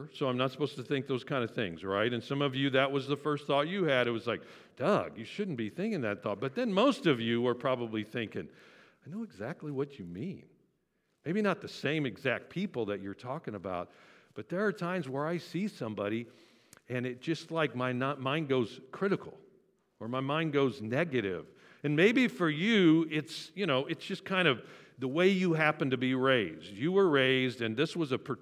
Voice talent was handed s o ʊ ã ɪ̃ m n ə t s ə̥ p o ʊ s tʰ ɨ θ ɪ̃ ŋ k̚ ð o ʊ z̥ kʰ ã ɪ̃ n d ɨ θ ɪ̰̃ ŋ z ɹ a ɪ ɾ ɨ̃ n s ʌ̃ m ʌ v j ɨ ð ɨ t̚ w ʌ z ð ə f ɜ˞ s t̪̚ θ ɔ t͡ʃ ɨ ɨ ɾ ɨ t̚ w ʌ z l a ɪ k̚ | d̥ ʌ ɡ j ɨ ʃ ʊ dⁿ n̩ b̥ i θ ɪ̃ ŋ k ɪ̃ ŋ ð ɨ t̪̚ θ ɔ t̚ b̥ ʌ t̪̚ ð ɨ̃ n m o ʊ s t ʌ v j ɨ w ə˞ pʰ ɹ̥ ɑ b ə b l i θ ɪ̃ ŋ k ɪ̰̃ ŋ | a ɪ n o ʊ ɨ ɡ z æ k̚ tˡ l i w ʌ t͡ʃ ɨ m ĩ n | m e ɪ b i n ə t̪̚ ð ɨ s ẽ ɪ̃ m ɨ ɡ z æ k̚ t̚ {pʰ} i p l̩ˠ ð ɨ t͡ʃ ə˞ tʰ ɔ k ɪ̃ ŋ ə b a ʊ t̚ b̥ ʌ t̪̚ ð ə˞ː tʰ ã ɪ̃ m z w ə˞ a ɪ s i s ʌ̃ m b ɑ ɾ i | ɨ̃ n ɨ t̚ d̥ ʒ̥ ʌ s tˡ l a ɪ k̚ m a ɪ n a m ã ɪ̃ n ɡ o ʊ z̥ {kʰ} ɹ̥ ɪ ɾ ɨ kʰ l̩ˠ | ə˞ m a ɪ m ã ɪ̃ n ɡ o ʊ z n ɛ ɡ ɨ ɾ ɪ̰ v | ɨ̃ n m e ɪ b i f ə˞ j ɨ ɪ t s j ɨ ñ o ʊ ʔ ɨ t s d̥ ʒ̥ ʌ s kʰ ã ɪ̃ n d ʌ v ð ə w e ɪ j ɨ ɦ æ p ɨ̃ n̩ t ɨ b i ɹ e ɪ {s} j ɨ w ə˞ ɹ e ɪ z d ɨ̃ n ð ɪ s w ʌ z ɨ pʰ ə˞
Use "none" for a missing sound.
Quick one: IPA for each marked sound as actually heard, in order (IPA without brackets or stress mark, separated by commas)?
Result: pʰ, kʰ, z